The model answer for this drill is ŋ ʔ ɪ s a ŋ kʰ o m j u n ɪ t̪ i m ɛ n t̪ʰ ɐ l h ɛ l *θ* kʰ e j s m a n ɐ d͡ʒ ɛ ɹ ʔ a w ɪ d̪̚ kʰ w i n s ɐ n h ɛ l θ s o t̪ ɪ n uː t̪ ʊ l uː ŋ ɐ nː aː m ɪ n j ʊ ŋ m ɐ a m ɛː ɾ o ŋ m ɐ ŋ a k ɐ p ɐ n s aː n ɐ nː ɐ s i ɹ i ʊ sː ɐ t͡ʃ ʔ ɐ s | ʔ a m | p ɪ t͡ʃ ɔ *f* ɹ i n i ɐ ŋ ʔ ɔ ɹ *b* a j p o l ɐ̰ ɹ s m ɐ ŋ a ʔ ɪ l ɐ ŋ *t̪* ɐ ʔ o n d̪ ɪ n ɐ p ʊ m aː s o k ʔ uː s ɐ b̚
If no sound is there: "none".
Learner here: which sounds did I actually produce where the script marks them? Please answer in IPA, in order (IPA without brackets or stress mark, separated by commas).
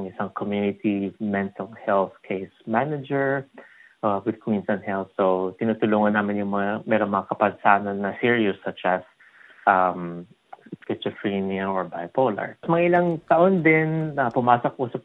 θ, f, b, t̪